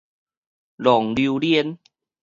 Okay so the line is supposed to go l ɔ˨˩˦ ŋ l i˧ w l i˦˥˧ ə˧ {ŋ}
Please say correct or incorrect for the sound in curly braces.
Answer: incorrect